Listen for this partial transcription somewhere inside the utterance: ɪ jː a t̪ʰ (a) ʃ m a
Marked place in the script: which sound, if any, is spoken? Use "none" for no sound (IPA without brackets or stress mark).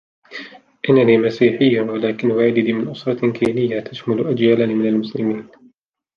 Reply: a